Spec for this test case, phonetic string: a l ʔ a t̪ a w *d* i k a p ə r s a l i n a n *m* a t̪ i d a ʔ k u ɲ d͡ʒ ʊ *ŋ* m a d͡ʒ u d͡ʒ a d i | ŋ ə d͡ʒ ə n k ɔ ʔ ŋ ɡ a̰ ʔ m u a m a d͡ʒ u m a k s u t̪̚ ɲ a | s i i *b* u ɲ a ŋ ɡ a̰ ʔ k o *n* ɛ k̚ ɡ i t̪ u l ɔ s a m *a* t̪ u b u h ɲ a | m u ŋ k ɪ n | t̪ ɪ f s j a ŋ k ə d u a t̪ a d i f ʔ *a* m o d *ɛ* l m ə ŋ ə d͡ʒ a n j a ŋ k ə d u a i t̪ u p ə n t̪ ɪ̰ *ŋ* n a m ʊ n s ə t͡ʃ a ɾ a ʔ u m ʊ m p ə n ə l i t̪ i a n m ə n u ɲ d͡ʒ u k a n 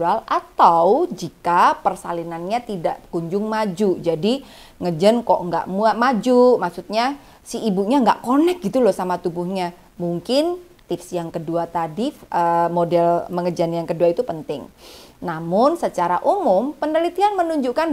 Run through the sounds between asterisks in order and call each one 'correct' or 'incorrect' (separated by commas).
incorrect, incorrect, correct, correct, correct, correct, incorrect, correct, correct